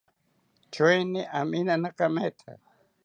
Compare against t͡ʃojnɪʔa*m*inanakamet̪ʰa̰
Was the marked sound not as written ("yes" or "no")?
no